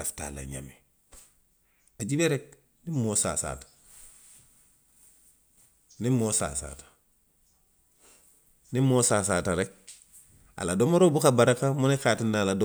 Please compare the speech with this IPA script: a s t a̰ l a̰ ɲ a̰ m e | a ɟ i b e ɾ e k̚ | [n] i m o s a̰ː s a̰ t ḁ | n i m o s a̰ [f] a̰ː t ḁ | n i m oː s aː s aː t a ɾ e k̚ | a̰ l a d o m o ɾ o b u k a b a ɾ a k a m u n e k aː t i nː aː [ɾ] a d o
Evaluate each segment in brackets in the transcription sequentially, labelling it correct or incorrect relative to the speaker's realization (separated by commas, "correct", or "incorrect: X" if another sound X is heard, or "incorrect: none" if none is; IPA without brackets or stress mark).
correct, incorrect: s, incorrect: l